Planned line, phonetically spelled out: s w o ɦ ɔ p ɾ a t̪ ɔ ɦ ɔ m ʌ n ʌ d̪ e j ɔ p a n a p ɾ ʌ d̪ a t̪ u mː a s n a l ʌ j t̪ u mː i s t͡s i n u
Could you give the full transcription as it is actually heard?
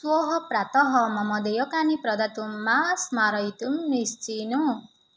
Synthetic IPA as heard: s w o ɦ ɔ p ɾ a t̪ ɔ ɦ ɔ m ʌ m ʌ d̪ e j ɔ k a n i p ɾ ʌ d̪ a t̪ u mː a s m a ɾ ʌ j t̪ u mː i s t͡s i n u